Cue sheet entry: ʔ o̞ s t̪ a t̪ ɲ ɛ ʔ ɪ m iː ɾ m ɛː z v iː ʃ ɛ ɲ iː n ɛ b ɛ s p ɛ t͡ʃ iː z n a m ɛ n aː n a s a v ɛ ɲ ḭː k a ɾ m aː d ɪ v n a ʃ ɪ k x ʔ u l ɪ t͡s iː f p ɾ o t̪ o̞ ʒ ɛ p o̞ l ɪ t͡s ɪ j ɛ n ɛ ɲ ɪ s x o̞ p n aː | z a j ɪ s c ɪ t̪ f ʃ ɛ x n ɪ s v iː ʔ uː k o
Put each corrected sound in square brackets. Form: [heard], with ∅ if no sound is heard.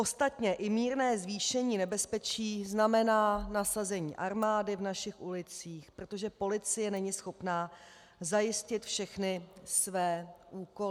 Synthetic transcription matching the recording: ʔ o̞ s t̪ a t̪ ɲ ɛ ʔ ɪ m iː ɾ [n] ɛː z v iː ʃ ɛ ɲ iː n ɛ b ɛ s p ɛ t͡ʃ iː z n a m ɛ n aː n a s a [z] ɛ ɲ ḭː [ʔ] a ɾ m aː d ɪ v n a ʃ ɪ [∅] x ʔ u l ɪ t͡s iː [x] p ɾ o t̪ o̞ ʒ ɛ p o̞ l ɪ t͡s ɪ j ɛ n ɛ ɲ ɪ s x o̞ p n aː | z a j ɪ s c ɪ t̪ f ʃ ɛ x n ɪ s v [ɛː] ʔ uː k o